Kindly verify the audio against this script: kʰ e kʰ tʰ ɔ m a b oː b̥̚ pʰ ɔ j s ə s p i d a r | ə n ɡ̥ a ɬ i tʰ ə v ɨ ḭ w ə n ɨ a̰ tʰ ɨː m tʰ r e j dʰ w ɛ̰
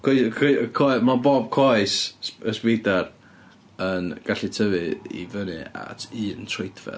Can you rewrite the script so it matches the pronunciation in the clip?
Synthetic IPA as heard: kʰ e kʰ kʰ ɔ m a b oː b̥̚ kʰ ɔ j s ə s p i d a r | ə n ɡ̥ a ɬ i tʰ ə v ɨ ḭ v ə n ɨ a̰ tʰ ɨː n tʰ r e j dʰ v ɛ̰